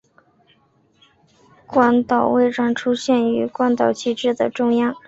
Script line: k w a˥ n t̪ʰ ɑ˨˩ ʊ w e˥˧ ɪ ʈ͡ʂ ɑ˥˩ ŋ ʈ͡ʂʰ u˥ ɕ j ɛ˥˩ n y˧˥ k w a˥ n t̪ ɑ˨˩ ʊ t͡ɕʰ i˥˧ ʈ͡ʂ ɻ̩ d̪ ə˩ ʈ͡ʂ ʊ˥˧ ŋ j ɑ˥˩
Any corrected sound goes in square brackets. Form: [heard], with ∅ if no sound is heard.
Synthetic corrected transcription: k w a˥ n [t̪] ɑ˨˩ ʊ w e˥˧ ɪ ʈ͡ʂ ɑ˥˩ ŋ ʈ͡ʂʰ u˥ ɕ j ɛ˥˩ n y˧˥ k w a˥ n t̪ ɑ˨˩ ʊ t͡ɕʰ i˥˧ ʈ͡ʂ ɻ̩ d̪ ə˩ ʈ͡ʂ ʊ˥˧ ŋ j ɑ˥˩